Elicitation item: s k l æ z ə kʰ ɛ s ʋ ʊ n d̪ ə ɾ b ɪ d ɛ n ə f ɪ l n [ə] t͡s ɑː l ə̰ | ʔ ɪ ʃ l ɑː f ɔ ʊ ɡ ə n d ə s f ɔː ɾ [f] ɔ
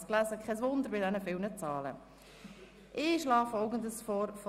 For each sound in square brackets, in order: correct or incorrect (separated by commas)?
correct, correct